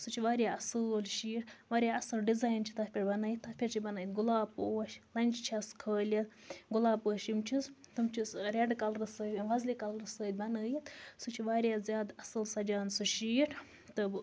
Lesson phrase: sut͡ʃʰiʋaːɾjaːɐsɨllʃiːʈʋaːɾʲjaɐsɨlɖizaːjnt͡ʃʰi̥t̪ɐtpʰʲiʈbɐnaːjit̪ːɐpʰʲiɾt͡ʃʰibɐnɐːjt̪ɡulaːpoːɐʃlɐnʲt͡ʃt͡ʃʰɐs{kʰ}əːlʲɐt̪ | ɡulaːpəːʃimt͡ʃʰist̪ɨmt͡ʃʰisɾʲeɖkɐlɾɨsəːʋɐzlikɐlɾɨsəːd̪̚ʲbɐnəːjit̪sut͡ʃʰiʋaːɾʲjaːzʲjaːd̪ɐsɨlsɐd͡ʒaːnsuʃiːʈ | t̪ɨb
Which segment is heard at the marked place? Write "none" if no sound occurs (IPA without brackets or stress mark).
kʰ